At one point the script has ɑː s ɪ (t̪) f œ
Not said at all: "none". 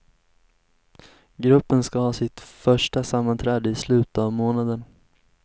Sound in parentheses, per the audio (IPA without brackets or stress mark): t̪